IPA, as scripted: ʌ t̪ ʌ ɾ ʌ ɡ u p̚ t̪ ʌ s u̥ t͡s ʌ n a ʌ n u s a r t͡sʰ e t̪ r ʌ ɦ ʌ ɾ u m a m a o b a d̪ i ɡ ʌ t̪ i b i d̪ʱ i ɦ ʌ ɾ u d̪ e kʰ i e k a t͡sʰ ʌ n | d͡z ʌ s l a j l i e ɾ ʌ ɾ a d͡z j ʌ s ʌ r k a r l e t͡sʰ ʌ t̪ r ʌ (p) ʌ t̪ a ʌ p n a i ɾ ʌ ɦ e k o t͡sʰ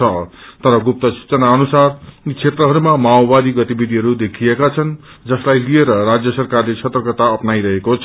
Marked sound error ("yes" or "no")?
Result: yes